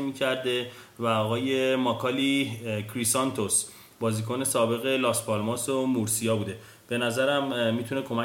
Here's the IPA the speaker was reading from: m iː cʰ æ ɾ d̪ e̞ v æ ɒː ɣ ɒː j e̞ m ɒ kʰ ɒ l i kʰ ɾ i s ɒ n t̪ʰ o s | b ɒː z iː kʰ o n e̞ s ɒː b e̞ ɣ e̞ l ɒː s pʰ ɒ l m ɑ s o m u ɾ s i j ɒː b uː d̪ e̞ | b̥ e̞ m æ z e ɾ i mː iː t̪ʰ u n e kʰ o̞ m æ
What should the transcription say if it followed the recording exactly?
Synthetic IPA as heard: m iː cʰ æ ɾ d̪ e̞ v æ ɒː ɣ ɒː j e̞ m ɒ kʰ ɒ l i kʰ ɾ i s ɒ n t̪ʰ o s | b ɒː z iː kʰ o n e̞ s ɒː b e̞ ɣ e̞ l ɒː s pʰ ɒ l m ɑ s o m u ɾ s i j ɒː b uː d̪ e̞ | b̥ e̞ n æ z æ ɾ æ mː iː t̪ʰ u n e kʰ o̞ m æ